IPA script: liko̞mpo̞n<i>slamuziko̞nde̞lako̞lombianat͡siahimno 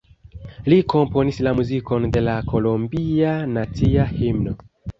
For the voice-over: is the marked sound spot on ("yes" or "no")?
yes